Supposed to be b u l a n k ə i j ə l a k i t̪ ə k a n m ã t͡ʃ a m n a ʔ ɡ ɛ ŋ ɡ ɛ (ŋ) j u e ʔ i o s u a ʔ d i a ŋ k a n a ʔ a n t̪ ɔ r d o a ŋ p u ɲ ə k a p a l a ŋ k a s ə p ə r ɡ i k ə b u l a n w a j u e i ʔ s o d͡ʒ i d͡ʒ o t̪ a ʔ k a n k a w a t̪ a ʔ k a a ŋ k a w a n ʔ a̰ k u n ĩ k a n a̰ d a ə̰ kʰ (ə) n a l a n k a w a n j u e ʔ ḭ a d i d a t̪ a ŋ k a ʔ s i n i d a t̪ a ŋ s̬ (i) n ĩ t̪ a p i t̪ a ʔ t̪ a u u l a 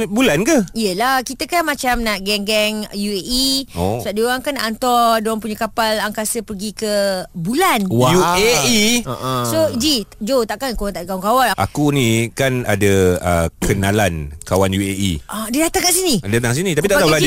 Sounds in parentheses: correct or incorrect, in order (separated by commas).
correct, correct, correct